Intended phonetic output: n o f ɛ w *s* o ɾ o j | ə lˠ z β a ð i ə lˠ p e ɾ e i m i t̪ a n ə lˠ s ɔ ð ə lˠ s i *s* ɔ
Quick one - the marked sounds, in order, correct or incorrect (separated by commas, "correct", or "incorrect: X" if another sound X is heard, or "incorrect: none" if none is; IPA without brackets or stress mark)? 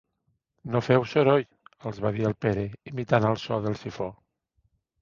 correct, incorrect: f